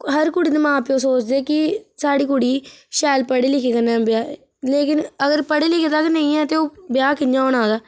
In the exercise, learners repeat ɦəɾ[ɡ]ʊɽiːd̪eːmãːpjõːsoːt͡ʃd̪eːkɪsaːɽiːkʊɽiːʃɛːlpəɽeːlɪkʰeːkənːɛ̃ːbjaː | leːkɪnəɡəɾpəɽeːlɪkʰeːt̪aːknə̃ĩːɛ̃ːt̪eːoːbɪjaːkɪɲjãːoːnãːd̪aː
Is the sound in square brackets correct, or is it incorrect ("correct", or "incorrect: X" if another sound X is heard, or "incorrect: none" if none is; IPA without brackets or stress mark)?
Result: incorrect: k